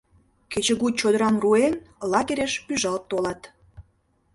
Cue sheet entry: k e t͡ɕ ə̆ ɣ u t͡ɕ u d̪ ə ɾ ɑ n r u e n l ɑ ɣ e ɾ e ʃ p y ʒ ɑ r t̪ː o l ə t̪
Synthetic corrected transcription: k e t͡ɕ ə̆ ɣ u t͡ɕ o d̪ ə ɾ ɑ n r u e n l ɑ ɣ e ɾ e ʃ p y ʒ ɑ l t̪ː o l ɑ t̪